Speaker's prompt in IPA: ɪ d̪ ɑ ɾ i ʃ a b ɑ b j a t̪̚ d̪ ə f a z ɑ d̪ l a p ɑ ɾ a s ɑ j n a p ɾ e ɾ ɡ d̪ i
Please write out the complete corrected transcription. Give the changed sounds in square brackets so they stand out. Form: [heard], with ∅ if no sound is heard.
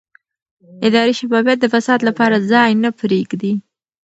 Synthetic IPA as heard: ɪ d̪ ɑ ɾ i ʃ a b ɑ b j a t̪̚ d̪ ə f a [s] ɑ d̪ l a p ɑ ɾ a [z] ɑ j n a p ɾ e [∅] ɡ d̪ i